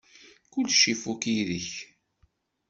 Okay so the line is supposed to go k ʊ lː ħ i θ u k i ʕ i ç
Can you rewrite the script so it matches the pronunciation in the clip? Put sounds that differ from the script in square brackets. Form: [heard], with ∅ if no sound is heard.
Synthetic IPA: k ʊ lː [ʃ] i [f] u k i [ð] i ç